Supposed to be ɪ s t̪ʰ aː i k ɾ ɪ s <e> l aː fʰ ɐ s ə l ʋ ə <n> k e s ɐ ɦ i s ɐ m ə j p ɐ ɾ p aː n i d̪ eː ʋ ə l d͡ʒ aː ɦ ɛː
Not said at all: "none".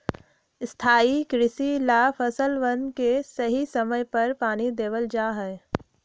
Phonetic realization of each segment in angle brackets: i, n

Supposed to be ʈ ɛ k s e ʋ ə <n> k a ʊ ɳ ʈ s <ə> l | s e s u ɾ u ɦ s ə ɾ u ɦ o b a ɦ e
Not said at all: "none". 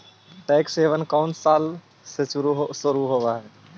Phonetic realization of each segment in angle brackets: n, a

